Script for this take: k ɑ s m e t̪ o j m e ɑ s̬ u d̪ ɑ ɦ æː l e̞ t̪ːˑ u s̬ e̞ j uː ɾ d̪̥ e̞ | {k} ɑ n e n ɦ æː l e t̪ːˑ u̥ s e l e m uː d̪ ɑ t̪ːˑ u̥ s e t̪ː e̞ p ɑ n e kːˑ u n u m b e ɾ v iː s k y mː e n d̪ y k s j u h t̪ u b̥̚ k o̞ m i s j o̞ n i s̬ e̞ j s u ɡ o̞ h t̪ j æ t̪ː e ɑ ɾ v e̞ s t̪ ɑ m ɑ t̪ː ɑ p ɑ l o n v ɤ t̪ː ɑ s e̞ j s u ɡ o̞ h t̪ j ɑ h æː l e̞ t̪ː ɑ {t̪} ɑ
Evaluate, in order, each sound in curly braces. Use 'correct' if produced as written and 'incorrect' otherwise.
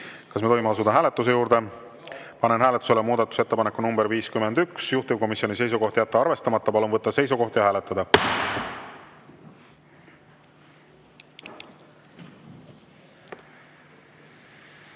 incorrect: p, incorrect: d̪

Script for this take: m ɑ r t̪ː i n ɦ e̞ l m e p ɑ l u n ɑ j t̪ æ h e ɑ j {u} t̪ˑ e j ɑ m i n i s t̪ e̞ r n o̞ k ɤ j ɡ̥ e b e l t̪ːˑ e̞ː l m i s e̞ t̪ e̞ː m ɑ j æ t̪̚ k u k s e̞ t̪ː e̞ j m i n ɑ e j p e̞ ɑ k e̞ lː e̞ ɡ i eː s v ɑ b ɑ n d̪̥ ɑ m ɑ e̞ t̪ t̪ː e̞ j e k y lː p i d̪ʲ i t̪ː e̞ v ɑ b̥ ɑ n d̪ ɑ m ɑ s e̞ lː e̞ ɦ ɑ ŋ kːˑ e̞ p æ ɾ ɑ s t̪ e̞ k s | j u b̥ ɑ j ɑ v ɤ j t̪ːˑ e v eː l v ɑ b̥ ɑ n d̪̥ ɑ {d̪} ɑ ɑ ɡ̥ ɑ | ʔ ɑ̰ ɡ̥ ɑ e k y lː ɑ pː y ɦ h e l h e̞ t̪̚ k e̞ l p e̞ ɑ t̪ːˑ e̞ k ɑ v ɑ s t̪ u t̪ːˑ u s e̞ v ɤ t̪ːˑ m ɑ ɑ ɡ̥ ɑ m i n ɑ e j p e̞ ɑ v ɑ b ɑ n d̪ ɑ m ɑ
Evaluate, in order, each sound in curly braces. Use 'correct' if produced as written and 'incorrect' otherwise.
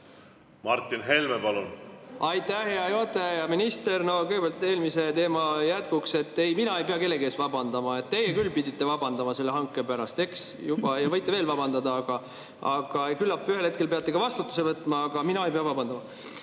incorrect: o, correct

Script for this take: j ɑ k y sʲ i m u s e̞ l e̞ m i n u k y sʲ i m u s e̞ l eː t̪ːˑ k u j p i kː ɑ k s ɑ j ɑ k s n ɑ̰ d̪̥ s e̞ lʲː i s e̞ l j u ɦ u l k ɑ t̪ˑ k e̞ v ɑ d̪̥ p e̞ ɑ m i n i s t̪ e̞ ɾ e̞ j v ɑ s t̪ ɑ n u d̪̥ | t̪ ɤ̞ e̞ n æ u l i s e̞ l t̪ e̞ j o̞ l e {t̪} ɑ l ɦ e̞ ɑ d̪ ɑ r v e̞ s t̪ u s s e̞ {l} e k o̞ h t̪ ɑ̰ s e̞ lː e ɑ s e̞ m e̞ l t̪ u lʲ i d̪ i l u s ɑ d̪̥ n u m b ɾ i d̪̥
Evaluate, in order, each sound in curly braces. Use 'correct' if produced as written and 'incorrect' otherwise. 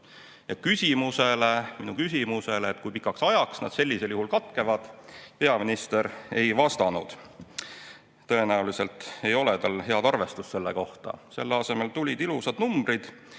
correct, incorrect: lː

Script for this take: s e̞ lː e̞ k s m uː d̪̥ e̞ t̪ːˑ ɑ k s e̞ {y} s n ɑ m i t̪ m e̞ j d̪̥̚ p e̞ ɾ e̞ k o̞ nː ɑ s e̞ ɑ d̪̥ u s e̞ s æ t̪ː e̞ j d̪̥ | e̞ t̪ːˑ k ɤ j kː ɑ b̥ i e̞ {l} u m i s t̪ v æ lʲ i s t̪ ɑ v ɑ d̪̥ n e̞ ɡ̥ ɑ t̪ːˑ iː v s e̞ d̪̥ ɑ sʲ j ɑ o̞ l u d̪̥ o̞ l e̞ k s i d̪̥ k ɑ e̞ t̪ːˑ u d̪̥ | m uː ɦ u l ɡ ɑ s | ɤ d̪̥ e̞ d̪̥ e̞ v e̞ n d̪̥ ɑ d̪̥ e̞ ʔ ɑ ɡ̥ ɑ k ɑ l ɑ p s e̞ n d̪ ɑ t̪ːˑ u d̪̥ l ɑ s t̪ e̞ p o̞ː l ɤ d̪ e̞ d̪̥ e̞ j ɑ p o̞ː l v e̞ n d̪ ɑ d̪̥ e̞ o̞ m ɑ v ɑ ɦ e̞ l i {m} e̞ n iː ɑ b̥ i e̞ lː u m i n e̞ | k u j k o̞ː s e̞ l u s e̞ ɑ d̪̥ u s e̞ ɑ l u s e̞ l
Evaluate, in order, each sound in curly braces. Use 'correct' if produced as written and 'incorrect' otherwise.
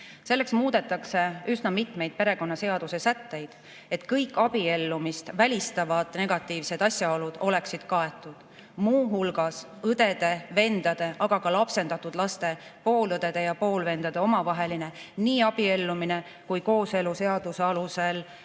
correct, incorrect: lː, incorrect: n

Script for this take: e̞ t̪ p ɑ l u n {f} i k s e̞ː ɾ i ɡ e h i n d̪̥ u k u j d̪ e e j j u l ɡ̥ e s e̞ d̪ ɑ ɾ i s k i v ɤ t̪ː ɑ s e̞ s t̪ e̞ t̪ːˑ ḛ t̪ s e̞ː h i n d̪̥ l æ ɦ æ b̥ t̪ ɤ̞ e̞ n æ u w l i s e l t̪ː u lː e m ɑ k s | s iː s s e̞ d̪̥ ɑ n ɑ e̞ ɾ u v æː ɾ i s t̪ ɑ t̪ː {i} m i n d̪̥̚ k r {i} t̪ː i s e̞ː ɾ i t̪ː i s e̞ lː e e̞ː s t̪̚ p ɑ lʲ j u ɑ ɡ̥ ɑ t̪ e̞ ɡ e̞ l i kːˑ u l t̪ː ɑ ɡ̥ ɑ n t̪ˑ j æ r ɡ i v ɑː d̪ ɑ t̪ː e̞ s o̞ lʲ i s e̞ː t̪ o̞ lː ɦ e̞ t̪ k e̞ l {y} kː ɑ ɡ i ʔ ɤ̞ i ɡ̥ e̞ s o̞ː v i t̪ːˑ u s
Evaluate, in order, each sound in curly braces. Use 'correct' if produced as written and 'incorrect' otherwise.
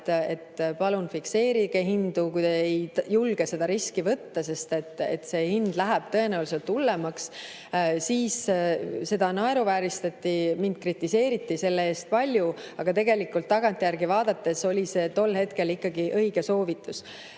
correct, correct, correct, incorrect: i

